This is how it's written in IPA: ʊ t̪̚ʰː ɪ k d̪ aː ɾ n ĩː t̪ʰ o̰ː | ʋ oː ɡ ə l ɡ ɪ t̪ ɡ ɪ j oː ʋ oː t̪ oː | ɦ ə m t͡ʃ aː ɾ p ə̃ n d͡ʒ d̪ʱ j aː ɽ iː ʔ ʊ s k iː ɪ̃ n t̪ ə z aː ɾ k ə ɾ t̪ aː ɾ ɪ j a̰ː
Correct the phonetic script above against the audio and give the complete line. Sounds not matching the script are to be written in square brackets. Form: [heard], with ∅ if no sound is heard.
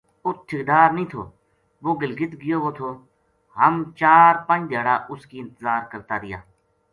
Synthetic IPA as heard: ʊ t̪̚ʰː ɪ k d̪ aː ɾ n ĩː t̪ʰ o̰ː | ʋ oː ɡ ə l ɡ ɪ t̪ ɡ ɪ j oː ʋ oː [t̪ʰ] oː | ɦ ə m t͡ʃ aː ɾ p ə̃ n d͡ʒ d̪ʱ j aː ɽ [aː] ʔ ʊ s k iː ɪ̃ n t̪ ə z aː ɾ k ə ɾ t̪ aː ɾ ɪ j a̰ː